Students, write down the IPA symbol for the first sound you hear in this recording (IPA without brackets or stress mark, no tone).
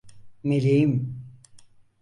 m